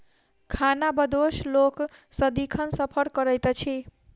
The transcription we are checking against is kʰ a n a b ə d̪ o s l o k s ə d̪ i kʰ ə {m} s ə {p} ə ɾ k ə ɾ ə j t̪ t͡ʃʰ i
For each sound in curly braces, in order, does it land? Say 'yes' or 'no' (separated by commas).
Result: no, no